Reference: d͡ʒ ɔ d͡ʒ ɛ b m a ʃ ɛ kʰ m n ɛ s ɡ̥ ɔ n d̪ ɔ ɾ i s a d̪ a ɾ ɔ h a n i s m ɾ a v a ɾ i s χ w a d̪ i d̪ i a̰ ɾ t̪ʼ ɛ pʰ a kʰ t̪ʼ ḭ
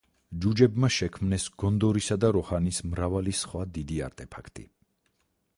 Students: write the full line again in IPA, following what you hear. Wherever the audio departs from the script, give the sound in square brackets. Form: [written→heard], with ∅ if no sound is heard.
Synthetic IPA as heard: d͡ʒ [ɔ→u] d͡ʒ ɛ b m a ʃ ɛ kʰ m n ɛ s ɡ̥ ɔ n d̪ ɔ ɾ i s a d̪ a ɾ ɔ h a n i s m ɾ a v a [ɾ→l] i s χ w a d̪ i d̪ i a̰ ɾ t̪ʼ ɛ pʰ a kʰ t̪ʼ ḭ